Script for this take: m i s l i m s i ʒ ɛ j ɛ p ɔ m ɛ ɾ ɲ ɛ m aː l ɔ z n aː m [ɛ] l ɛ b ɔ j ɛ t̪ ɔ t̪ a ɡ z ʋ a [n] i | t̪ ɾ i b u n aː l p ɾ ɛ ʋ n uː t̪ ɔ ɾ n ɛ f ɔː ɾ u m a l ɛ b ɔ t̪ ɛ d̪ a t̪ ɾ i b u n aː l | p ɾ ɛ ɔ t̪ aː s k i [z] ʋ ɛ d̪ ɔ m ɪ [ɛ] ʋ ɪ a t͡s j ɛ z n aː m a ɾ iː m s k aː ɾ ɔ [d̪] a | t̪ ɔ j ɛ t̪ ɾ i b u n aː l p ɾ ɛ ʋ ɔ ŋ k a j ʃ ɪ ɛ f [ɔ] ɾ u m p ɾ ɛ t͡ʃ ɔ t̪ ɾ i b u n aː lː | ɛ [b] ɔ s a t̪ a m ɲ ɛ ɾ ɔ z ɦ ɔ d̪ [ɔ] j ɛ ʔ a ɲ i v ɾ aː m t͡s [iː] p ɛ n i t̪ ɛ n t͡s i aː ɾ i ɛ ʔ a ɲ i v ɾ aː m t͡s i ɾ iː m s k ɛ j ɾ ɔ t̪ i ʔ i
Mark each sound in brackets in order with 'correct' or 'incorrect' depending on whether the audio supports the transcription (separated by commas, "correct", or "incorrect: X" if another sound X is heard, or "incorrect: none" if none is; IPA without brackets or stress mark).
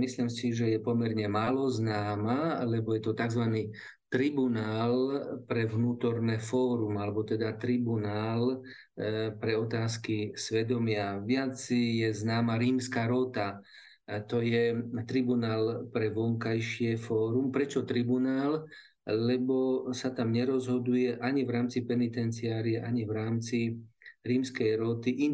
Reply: incorrect: a, correct, incorrect: s, incorrect: a, incorrect: t̪, incorrect: ɔː, correct, incorrect: u, incorrect: i